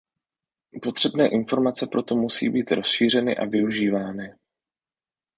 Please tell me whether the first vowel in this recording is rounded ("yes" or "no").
yes